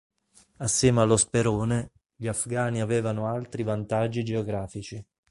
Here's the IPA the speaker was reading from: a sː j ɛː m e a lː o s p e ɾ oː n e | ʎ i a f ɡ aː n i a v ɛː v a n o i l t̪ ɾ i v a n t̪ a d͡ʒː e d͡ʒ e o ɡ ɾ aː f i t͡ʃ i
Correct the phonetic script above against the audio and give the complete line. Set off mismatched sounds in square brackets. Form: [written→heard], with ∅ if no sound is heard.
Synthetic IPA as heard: a sː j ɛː m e a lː o s p e ɾ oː n e | ʎ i a f ɡ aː n i a v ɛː v a n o [i→a] l t̪ ɾ i v a n t̪ a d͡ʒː [e→i] d͡ʒ e o ɡ ɾ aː f i t͡ʃ i